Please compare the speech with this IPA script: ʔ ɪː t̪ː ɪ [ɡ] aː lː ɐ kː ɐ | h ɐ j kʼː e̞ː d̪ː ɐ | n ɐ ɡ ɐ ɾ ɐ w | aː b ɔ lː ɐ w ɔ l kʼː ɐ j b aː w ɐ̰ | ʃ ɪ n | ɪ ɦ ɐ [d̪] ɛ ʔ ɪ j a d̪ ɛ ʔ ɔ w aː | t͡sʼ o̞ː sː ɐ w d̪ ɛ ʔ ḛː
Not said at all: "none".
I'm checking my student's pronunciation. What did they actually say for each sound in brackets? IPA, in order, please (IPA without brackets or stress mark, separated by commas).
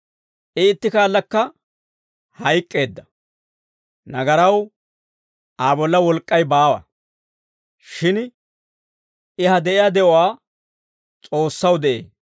k, d̪